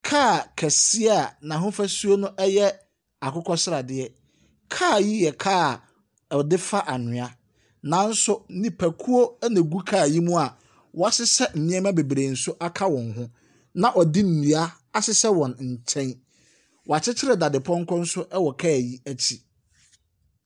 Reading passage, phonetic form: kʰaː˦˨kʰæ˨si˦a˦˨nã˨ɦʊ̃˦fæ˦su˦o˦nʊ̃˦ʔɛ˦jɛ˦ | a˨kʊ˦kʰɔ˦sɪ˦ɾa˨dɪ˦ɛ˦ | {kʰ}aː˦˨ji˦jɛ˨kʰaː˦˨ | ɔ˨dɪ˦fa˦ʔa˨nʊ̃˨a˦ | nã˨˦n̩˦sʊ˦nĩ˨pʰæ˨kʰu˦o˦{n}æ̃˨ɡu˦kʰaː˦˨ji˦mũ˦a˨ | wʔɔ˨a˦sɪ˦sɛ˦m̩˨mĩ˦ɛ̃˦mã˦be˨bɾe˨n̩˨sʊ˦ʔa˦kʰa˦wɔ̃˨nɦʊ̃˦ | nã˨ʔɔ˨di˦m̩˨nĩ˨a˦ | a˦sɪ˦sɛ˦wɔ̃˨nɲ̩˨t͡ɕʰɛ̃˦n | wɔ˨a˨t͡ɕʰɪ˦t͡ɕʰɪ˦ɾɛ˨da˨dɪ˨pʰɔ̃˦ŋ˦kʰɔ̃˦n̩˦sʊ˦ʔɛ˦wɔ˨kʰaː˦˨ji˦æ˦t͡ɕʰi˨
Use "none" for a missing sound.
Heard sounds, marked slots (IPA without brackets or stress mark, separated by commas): kʰ, n